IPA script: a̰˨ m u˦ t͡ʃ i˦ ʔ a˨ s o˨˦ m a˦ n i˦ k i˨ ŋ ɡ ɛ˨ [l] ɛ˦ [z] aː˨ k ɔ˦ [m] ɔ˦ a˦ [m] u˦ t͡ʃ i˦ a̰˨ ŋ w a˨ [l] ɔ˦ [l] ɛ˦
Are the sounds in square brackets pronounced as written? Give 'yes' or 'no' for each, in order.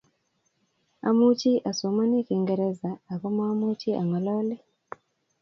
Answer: no, yes, yes, yes, yes, yes

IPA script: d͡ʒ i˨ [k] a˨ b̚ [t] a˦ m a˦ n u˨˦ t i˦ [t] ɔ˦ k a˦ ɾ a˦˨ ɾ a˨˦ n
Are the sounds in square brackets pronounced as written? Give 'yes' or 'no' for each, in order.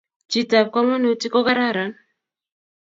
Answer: no, no, no

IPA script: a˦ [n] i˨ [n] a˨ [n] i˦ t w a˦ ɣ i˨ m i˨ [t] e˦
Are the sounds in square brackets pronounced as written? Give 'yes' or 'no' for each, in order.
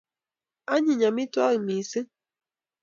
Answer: no, no, no, no

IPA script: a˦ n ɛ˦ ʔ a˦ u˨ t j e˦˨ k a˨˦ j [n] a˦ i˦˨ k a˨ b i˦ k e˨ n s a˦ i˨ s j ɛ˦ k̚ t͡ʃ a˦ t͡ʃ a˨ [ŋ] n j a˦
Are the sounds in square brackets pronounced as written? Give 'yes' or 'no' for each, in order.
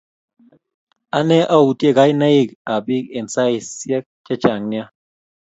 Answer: yes, yes

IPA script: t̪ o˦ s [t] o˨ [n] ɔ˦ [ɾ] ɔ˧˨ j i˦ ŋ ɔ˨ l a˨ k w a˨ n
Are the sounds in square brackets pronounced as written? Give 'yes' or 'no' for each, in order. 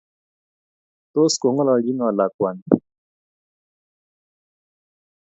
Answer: no, no, no

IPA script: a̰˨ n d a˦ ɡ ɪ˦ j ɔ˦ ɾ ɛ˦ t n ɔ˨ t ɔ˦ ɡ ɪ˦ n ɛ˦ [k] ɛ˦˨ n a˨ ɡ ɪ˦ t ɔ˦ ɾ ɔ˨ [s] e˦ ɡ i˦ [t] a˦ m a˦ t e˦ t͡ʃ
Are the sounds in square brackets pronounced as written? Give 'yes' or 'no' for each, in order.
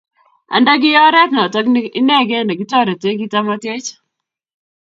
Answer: no, no, yes

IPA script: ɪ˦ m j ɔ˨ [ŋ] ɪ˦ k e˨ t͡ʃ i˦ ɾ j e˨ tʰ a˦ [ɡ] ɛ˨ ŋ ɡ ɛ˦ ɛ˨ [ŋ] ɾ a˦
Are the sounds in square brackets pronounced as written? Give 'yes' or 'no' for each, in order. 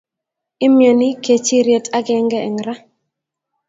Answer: no, yes, yes

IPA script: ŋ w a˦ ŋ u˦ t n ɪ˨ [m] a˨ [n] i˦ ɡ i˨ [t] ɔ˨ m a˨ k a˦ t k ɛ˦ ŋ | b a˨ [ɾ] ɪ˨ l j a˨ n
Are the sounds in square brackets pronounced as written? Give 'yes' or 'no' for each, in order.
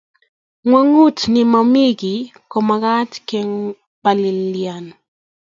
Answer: yes, no, no, no

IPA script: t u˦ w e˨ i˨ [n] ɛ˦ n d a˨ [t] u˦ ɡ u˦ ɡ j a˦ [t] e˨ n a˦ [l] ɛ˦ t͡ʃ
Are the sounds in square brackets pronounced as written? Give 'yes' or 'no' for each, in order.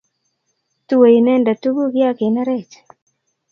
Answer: yes, yes, no, no

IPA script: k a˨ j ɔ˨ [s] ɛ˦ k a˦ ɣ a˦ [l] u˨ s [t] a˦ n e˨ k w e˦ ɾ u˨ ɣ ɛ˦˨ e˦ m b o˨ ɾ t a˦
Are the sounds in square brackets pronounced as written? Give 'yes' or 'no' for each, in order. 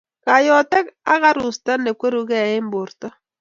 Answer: no, no, yes

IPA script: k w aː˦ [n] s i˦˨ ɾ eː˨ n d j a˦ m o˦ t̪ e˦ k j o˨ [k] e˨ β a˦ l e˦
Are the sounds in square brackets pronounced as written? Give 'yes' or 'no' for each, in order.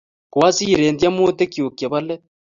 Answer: no, yes

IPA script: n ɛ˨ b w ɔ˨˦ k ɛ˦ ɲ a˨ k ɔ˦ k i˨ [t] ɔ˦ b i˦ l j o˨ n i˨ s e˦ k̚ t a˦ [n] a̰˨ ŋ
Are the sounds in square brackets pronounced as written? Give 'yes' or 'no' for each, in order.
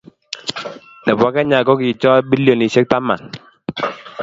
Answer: no, no

